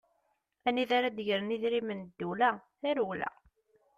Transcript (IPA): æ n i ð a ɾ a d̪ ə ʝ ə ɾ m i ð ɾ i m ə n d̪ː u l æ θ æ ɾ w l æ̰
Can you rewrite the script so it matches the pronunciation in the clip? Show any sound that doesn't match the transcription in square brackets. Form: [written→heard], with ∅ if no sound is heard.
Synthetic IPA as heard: æ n i ð a ɾ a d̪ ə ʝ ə ɾ [m→n] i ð ɾ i m ə n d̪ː u l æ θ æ ɾ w l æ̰